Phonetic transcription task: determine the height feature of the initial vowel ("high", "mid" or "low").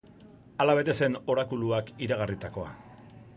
low